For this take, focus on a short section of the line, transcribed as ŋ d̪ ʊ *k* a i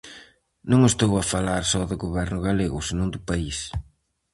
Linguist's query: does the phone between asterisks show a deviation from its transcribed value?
yes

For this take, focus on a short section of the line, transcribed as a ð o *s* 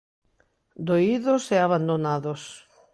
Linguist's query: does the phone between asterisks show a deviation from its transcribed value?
no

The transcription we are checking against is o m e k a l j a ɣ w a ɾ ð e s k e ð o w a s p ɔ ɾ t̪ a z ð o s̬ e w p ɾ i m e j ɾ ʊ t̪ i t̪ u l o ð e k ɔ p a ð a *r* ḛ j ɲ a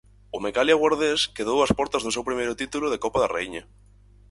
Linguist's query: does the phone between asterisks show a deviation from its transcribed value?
no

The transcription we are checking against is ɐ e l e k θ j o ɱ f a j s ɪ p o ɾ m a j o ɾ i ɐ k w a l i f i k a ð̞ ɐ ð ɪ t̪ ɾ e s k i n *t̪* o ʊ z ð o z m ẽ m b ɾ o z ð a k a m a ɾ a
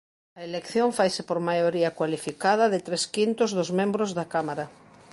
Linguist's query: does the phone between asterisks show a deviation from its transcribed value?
no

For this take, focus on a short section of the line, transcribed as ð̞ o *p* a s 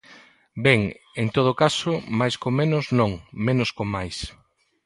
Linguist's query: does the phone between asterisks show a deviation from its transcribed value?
yes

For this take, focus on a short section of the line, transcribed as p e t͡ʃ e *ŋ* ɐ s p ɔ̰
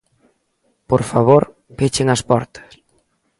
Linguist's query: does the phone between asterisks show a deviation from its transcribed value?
no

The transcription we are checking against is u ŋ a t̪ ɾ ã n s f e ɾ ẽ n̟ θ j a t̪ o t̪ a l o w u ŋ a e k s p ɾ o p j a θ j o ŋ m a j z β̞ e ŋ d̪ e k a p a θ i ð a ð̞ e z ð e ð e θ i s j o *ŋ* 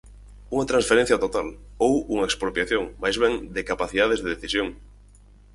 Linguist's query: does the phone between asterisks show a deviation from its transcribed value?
no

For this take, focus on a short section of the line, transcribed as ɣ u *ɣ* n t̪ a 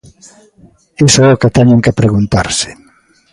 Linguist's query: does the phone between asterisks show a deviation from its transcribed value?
yes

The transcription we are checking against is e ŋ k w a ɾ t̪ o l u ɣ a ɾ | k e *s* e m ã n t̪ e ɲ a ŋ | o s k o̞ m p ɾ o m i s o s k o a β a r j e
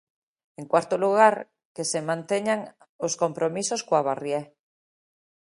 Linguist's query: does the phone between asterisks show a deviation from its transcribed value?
no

